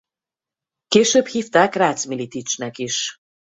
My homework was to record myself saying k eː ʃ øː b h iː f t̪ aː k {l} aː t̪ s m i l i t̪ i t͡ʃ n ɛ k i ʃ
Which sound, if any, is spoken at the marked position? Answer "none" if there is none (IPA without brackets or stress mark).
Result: r